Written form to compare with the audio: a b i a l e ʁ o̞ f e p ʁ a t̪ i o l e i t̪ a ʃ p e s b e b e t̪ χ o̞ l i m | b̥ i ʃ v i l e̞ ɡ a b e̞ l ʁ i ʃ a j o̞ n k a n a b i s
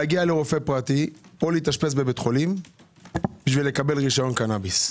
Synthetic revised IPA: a ɡ i a l e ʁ o̞ f e p ʁ a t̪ i o l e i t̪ a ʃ p e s b e b e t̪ χ o̞ l i m | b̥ i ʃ v i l e̞ k a b e̞ l ʁ i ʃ a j o̞ n k a n a b i s